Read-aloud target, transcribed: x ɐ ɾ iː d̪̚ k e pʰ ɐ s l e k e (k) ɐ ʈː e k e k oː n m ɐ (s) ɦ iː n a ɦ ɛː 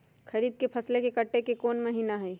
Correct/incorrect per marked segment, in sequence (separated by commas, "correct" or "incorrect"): correct, incorrect